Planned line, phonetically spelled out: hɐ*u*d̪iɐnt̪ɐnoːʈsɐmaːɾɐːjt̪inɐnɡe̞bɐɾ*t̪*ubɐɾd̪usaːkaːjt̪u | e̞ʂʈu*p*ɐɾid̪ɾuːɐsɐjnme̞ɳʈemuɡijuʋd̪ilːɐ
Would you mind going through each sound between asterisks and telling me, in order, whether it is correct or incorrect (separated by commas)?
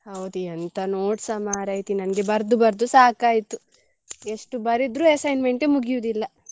incorrect, incorrect, incorrect